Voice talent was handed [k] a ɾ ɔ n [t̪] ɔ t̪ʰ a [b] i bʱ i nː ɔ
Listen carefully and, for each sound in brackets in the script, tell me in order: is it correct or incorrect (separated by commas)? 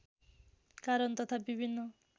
correct, correct, correct